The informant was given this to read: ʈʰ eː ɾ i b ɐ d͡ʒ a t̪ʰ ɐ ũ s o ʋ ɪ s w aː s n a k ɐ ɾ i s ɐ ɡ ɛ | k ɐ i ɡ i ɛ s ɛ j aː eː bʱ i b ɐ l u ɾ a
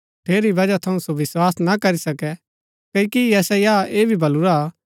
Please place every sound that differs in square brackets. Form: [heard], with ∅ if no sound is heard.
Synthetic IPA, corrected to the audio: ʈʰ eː ɾ i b ɐ d͡ʒ a t̪ʰ ɐ ũ s o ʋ ɪ s w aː s n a k ɐ ɾ i s ɐ [k] ɛ | k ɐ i [k] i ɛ s ɛ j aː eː bʱ i b ɐ l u ɾ a